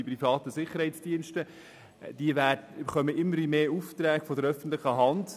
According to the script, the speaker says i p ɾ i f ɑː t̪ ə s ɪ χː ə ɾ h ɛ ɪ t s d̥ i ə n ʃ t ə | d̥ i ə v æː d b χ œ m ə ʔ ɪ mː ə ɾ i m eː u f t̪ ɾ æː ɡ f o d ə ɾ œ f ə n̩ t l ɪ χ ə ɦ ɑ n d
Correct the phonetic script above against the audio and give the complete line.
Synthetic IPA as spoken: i p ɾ i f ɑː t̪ ə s ɪ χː ə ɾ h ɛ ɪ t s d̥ i ə n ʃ t ə | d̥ i ə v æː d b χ œ m ə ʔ ɪ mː ə ɾ i m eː u f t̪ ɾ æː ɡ f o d ə ɾ œ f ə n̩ t l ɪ χ ə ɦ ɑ n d